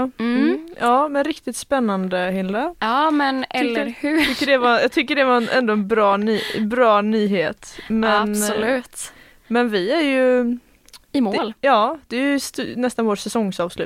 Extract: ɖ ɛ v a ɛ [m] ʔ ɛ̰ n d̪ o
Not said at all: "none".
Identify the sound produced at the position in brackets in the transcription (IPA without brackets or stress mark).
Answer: n